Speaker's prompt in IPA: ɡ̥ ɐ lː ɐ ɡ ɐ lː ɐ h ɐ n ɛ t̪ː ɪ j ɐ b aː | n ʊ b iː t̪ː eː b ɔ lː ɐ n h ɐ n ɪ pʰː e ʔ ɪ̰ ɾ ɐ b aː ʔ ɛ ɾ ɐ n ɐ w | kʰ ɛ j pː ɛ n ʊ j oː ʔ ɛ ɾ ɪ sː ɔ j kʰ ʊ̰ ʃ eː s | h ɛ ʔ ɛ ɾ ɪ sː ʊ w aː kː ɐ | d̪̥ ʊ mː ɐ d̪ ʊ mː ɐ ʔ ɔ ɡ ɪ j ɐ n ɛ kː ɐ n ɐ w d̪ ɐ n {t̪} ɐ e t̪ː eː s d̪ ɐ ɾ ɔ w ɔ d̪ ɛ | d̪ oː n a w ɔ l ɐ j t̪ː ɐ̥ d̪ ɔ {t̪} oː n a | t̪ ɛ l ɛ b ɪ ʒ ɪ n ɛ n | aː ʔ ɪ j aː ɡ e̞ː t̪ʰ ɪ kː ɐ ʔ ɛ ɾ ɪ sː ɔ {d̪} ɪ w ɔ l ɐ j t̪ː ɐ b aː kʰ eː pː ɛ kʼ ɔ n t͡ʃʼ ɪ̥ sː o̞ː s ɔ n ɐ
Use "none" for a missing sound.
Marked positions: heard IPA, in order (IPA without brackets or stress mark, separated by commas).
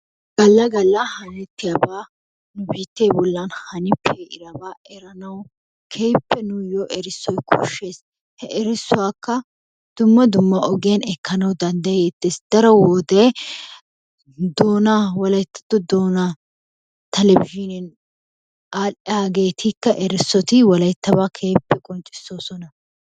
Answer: d̪, d̪, t̪